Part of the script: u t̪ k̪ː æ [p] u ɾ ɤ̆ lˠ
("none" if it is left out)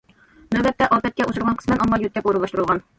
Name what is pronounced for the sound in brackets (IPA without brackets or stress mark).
p